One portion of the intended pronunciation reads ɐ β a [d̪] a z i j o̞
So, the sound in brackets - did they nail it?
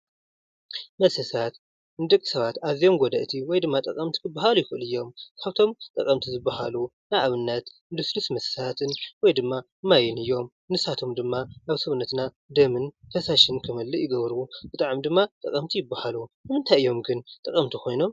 no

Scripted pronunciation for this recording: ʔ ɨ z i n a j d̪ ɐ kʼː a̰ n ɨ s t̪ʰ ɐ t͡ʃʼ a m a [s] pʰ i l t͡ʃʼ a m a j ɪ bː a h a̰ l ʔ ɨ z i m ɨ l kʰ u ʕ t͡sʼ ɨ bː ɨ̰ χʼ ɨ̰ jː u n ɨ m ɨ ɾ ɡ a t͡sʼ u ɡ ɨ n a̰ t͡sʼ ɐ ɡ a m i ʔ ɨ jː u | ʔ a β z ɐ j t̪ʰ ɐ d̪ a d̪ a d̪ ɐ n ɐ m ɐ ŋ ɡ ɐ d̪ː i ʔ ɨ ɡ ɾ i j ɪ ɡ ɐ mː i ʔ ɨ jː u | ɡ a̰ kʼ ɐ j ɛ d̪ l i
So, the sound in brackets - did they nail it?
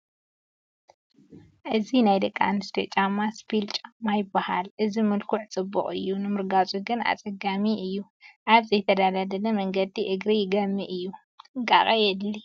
yes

